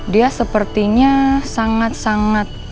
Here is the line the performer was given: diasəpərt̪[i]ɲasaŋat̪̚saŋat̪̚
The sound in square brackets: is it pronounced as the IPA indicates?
yes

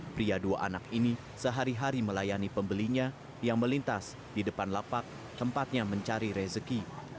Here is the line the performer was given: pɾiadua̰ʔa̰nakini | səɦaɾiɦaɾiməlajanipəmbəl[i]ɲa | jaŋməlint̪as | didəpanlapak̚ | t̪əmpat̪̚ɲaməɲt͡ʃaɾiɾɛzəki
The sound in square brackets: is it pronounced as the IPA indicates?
yes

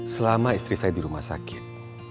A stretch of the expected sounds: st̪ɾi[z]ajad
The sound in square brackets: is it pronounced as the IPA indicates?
no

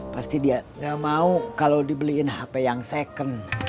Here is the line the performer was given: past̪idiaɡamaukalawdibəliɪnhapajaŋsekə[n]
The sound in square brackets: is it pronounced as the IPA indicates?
yes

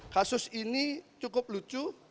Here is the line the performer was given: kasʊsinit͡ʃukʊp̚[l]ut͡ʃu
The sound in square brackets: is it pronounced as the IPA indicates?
yes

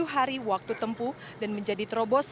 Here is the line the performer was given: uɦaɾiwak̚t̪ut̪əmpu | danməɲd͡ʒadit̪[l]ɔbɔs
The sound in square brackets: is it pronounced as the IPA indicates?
no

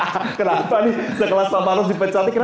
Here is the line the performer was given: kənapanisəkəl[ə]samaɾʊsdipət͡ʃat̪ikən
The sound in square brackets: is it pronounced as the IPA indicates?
no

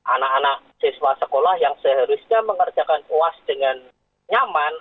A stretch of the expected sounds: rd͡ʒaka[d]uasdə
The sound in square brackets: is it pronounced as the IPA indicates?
no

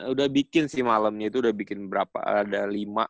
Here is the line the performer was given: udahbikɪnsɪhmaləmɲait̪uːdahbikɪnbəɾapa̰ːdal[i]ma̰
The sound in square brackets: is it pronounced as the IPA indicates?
yes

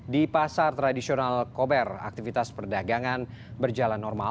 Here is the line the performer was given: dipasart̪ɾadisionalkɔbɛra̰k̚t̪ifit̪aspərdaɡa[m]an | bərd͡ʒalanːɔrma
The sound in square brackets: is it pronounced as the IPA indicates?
no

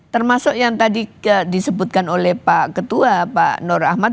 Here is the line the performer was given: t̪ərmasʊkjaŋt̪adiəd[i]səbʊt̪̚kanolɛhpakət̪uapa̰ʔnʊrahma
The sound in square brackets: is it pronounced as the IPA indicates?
yes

